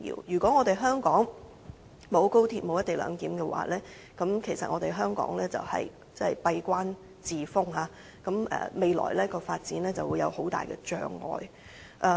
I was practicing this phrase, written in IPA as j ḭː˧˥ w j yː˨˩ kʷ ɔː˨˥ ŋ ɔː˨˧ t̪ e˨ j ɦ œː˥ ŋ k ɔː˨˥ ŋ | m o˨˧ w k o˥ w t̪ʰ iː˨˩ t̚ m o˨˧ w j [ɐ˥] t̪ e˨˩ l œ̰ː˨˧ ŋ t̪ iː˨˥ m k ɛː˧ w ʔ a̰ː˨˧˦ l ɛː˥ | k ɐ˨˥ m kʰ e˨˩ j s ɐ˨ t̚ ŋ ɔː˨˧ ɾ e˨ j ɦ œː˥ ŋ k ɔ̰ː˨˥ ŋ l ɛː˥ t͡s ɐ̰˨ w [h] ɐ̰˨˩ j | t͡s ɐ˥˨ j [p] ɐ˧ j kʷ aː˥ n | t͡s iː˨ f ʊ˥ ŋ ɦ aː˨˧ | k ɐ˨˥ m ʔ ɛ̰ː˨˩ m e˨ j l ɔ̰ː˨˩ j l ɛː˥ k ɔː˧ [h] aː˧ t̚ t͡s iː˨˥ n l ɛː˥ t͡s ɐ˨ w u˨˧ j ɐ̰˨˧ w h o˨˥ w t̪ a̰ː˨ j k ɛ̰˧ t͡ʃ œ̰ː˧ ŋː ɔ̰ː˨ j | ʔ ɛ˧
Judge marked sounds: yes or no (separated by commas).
yes, yes, yes, no